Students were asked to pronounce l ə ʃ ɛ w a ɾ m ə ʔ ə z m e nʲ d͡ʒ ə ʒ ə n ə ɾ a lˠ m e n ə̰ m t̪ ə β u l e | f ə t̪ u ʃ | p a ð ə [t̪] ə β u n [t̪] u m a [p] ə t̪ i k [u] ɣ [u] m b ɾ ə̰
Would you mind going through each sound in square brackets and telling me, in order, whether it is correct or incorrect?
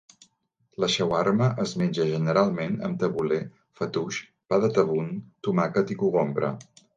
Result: correct, correct, incorrect, correct, incorrect

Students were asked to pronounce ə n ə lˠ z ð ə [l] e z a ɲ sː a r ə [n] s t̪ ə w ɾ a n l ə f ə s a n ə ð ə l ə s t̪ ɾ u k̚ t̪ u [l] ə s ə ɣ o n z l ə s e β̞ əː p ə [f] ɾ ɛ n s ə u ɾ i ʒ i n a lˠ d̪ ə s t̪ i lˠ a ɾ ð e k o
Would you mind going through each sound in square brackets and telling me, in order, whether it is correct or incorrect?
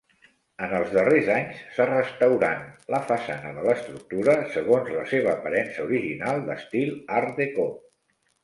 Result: incorrect, incorrect, incorrect, incorrect

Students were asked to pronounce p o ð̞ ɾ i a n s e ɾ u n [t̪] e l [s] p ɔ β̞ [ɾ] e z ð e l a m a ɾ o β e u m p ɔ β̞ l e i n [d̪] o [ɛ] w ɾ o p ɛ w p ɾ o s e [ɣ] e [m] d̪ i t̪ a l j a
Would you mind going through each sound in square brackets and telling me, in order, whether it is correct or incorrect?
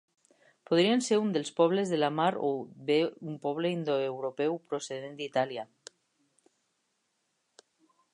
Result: incorrect, correct, incorrect, correct, incorrect, incorrect, incorrect

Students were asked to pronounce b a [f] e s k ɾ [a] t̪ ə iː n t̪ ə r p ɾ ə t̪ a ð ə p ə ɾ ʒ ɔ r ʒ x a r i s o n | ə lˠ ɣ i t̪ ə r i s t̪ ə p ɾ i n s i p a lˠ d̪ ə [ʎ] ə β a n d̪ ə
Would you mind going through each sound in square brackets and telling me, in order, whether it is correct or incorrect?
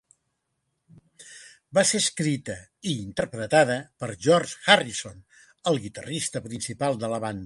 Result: incorrect, incorrect, incorrect

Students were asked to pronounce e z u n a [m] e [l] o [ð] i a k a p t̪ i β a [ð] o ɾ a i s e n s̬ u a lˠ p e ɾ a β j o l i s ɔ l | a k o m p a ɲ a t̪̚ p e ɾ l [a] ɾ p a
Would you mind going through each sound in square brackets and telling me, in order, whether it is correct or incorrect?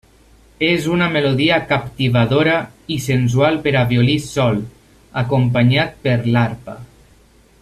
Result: correct, correct, correct, correct, correct

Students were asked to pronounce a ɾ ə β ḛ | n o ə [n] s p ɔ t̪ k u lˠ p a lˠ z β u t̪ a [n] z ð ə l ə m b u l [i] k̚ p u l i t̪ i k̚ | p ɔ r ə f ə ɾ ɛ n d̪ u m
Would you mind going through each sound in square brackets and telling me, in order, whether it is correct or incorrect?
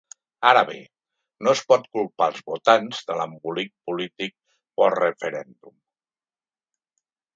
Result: incorrect, correct, correct

